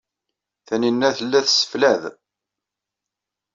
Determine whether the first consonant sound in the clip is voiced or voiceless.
voiceless